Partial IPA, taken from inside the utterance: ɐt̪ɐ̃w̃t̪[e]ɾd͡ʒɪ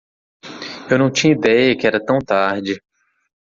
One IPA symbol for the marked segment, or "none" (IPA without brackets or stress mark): a